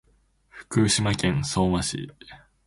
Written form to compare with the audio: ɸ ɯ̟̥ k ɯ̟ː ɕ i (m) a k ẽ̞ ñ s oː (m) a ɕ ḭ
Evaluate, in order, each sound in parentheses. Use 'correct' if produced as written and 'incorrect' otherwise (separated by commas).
correct, correct